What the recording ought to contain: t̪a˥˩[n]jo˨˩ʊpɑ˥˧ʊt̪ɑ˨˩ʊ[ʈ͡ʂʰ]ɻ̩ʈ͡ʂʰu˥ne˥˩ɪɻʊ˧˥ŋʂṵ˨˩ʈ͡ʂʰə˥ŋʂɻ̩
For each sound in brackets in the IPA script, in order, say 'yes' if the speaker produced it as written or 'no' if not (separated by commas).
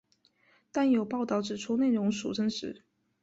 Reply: yes, no